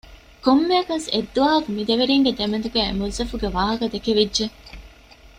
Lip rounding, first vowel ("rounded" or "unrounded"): rounded